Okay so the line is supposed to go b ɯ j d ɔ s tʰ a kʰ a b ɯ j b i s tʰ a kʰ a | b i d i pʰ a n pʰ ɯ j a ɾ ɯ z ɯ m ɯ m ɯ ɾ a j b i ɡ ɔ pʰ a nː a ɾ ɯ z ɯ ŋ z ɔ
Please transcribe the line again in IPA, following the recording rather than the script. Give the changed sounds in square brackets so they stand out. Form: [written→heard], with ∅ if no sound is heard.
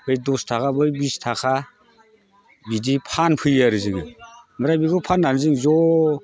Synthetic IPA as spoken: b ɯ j d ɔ s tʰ a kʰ a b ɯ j b i s tʰ a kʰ a | b i d i pʰ a n pʰ ɯ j a ɾ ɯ z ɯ [m→ŋ] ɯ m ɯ ɾ a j b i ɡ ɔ pʰ a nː a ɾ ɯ z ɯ ŋ z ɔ